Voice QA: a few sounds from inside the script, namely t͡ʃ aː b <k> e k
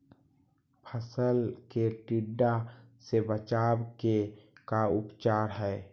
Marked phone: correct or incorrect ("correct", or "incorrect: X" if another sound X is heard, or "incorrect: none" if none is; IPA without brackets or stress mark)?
correct